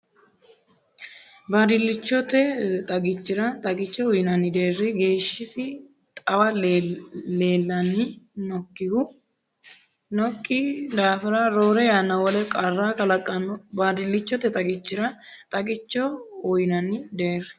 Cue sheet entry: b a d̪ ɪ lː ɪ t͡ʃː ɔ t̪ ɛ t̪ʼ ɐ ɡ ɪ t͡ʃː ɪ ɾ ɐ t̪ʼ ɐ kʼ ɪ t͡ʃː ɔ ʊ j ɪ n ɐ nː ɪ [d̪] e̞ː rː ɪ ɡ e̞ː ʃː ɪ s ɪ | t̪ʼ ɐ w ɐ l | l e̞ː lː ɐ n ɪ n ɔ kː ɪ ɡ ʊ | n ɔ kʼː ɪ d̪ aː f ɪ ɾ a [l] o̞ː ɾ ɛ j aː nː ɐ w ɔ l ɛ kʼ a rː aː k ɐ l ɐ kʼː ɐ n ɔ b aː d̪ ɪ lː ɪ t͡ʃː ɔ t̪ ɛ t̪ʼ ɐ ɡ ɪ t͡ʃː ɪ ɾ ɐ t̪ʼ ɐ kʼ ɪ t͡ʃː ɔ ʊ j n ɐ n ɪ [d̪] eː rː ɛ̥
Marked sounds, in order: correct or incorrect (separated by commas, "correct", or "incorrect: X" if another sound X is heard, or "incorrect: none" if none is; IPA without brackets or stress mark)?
correct, incorrect: ɾ, correct